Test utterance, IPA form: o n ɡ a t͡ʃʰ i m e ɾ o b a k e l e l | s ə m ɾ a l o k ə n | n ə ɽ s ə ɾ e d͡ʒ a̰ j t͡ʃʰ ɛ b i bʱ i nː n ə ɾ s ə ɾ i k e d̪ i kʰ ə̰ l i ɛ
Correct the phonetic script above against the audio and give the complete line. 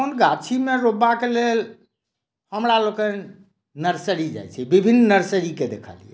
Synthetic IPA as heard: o n ɡ a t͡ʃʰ i m e ɾ o b a k e l e l | h ə m ɾ a l o k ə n | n ə ɾ s ə ɾ i d͡ʒ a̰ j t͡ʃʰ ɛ b i bʱ i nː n ə ɾ s ə ɾ i k e d̪ e kʰ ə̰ l i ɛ